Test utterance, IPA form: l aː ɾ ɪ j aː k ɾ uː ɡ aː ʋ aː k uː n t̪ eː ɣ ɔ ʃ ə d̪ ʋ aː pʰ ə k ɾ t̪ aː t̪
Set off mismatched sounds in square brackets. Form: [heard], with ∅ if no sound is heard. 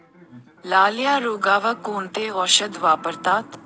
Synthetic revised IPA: l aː [l] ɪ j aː [∅] ɾ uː ɡ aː ʋ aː k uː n t̪ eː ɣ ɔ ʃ ə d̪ ʋ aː [p] ə [∅] ɾ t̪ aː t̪